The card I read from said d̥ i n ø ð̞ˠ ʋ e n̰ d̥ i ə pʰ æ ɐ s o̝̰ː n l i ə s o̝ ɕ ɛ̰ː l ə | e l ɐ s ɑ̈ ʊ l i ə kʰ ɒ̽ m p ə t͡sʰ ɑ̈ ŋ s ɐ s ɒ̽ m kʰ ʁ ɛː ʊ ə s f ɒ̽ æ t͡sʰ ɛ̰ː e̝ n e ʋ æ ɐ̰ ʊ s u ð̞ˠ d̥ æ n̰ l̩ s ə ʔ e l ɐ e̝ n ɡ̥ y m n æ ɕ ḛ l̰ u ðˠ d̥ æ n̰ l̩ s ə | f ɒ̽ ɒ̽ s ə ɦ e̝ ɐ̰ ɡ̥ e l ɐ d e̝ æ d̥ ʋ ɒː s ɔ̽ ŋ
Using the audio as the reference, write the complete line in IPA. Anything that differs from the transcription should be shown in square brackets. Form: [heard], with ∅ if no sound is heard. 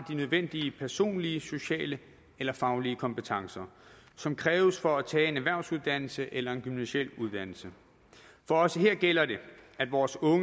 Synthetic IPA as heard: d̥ i n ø ð̞ˠ ʋ e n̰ d̥ i ə pʰ æ ɐ s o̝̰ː n l i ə s o̝ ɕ ɛ̰ː l ə | e l ɐ [f] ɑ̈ ʊ l i ə kʰ ɒ̽ m p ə t͡sʰ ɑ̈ ŋ s ɐ s ɒ̽ m kʰ ʁ ɛː ʊ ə s f ɒ̽ æ t͡sʰ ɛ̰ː e̝ n [æ] ʋ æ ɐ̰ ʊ s u ð̞ˠ d̥ æ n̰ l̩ s ə ʔ e l ɐ e̝ n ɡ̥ y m n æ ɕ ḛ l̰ u ðˠ d̥ æ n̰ l̩ s ə | f ɒ̽ ɒ̽ s ə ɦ e̝ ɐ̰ ɡ̥ e l ɐ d e̝ æ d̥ ʋ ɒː s ɔ̽ ŋ